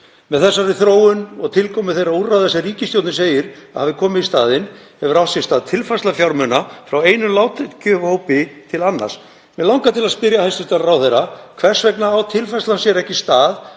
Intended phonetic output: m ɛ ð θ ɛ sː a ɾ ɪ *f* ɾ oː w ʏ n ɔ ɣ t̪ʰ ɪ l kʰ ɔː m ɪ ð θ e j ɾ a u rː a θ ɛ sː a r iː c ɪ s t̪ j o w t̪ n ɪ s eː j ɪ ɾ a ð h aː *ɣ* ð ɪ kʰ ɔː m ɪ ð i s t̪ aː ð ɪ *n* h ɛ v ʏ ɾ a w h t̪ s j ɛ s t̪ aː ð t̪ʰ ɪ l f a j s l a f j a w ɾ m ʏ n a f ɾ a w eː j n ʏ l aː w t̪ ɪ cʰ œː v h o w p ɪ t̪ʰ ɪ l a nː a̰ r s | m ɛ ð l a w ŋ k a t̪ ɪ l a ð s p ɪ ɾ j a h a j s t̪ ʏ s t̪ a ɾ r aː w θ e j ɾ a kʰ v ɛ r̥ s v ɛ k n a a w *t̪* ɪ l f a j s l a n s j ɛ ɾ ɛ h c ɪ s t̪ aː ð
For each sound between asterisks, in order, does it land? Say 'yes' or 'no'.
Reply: no, no, yes, no

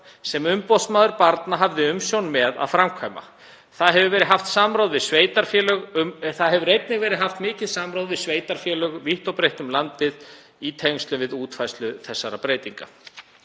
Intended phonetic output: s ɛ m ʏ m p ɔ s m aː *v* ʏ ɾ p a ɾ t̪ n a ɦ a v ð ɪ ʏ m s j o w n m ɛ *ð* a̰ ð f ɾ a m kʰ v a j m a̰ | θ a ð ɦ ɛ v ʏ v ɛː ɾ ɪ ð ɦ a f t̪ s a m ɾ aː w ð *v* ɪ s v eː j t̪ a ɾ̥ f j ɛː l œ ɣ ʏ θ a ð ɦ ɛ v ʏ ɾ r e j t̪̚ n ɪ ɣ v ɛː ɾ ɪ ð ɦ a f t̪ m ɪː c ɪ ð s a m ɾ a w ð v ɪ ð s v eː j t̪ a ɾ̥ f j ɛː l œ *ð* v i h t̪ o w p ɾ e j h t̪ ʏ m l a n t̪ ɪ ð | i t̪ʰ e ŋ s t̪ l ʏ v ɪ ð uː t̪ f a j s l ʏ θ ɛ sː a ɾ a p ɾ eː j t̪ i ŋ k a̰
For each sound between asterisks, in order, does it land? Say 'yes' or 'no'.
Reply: no, yes, yes, no

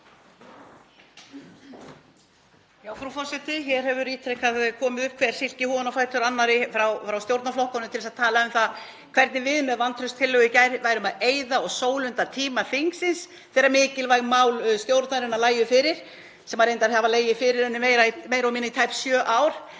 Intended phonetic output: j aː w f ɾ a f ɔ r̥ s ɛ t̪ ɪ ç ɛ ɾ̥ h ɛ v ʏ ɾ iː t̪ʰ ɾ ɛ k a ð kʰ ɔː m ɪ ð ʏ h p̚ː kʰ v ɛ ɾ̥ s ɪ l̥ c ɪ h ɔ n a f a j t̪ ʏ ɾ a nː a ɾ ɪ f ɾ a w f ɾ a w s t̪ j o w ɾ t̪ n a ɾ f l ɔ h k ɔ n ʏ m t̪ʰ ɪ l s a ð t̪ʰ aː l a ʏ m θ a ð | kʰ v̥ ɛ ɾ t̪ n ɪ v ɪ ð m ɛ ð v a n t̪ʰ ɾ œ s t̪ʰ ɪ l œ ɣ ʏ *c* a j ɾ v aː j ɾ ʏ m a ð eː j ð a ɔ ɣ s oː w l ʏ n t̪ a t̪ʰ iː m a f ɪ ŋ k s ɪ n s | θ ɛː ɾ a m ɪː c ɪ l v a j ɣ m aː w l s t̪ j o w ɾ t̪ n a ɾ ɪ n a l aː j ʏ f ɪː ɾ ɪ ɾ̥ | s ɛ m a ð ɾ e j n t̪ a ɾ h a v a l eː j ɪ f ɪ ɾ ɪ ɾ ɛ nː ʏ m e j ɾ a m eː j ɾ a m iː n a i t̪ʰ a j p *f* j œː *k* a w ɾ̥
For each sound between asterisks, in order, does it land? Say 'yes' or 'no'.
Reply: yes, no, no

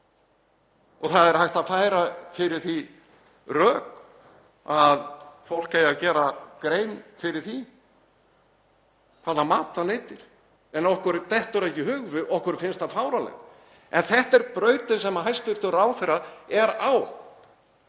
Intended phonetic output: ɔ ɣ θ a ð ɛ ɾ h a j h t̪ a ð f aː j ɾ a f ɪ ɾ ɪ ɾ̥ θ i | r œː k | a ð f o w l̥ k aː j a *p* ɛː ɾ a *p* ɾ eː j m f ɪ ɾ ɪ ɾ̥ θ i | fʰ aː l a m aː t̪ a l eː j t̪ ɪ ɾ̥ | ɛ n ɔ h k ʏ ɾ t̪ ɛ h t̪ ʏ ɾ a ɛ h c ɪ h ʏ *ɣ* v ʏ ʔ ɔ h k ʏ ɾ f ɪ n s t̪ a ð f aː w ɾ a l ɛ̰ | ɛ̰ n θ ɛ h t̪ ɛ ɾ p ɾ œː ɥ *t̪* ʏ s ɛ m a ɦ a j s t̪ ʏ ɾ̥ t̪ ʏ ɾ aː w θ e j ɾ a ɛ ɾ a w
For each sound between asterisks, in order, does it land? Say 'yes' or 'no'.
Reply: no, no, yes, yes

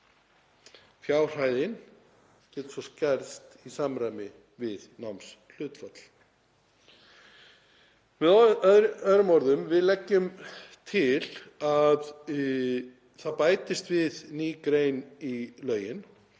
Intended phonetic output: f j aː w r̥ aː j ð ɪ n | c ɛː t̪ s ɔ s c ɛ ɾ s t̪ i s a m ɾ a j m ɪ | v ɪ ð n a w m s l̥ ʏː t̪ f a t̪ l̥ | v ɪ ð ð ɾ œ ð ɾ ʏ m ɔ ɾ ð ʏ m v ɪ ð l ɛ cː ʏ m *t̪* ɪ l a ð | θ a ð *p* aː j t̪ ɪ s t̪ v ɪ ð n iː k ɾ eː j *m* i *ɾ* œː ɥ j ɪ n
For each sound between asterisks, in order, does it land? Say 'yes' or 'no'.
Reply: no, yes, no, no

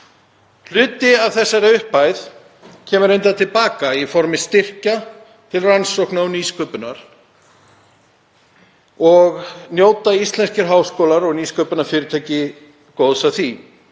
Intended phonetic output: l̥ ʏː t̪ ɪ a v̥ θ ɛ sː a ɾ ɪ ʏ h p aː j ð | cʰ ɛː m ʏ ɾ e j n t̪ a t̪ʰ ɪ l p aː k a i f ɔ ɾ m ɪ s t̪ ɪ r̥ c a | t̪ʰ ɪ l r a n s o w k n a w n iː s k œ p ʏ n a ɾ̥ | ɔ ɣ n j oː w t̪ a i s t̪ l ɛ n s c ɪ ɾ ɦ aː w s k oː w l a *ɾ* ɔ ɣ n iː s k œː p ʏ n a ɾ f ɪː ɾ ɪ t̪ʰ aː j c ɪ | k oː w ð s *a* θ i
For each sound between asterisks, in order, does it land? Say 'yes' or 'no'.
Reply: yes, yes

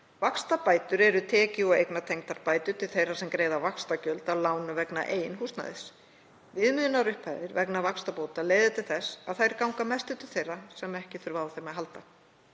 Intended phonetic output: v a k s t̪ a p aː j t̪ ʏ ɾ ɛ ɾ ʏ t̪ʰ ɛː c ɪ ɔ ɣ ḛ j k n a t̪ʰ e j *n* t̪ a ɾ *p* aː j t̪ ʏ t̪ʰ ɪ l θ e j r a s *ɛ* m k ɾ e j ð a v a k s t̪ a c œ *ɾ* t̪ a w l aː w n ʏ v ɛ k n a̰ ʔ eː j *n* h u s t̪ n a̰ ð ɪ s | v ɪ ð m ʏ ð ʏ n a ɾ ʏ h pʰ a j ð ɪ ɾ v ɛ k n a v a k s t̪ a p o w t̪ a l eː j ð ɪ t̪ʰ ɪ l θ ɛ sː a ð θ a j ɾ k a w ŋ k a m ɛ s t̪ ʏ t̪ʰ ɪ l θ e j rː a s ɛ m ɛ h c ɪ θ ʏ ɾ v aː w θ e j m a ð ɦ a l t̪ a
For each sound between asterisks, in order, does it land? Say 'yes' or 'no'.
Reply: no, yes, yes, no, yes

